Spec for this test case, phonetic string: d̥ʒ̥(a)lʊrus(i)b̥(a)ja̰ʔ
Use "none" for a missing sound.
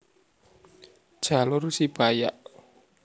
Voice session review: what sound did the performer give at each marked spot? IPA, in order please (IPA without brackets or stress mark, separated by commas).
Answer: a, i, a